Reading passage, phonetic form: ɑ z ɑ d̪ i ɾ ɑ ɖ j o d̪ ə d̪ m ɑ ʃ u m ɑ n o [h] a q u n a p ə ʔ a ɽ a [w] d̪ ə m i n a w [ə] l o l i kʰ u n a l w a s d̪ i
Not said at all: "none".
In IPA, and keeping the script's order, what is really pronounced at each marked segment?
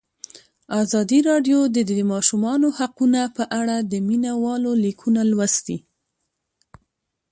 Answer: h, none, ɑ

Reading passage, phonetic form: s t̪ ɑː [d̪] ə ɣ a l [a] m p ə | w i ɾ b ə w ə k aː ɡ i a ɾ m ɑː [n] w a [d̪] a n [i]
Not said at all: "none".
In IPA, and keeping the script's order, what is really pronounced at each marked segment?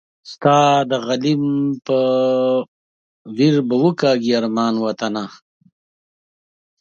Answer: d̪, i, n, t̪, a

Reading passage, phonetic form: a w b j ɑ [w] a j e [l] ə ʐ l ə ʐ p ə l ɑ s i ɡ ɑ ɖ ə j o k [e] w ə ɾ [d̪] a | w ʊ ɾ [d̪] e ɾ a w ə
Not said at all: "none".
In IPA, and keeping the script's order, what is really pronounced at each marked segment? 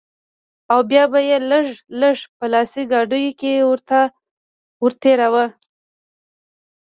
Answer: b, l, e, t̪, t̪

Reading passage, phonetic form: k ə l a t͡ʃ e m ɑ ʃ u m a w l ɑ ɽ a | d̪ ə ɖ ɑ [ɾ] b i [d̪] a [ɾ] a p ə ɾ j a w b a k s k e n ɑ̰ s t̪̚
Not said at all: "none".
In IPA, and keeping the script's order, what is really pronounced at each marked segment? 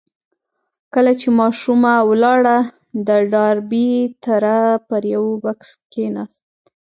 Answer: ɾ, t̪, ɾ

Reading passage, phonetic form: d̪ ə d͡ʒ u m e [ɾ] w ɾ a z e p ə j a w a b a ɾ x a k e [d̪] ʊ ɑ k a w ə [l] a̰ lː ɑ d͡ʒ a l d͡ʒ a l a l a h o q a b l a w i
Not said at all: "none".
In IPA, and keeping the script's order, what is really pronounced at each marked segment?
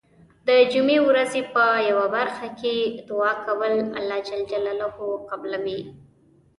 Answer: none, d̪, l

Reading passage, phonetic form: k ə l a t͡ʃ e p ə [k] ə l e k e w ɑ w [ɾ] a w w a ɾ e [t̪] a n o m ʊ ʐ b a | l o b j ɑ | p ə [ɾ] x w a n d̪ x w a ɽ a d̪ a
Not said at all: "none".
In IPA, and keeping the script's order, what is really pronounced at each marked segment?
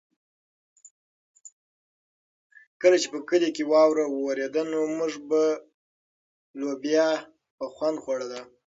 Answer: k, ɾ, d̪, none

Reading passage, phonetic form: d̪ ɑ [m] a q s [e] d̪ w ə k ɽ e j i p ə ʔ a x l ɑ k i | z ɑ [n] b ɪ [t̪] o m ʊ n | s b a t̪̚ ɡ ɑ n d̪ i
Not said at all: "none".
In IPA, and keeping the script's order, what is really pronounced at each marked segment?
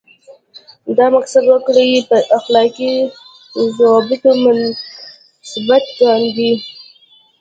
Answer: m, a, none, t̪

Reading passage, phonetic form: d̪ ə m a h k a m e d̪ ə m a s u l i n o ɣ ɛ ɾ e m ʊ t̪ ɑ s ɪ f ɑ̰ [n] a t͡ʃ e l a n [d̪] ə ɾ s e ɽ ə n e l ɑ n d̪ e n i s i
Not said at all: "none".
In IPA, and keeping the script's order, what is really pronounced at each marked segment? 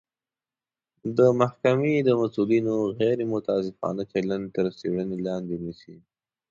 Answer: n, t̪

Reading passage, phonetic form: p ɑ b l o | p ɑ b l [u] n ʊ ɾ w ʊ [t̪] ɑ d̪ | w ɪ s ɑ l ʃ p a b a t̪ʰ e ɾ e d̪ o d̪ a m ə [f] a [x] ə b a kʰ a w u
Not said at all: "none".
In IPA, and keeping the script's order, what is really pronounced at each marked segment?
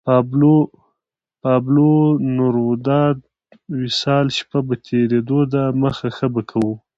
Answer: o, d̪, x, x

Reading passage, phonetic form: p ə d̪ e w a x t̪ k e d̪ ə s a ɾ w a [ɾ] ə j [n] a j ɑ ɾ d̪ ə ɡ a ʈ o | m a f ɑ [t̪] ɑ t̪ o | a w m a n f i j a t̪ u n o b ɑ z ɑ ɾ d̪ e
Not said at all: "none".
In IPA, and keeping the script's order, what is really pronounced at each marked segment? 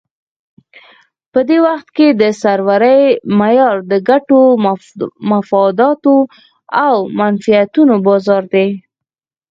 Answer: ɾ, m, d̪

